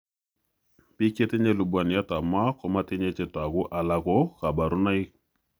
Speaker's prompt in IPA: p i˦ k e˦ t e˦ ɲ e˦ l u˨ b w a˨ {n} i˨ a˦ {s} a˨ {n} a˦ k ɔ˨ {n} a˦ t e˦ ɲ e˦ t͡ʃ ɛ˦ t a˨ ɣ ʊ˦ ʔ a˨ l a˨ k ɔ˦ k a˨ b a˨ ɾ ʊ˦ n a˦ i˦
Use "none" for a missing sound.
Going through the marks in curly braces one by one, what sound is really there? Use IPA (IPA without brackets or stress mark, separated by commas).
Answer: n, t, m, m